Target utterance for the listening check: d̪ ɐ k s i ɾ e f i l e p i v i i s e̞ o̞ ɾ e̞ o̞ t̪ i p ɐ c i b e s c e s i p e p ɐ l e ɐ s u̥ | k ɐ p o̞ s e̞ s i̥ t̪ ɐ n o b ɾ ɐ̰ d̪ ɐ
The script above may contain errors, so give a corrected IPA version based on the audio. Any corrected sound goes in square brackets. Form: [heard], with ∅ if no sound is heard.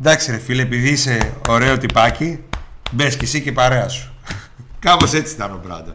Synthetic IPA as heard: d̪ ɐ k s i ɾ e f i l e p i [ð] i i s e̞ o̞ ɾ e̞ o̞ t̪ i p ɐ c i b e s c e s i [c] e p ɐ [ɾ] e ɐ s u̥ | k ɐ p o̞ s e̞ [t͡s] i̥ t̪ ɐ n o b ɾ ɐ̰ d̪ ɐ